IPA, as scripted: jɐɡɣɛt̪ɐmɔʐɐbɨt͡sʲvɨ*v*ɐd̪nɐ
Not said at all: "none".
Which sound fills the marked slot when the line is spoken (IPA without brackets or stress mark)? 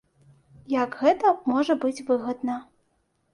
ɣ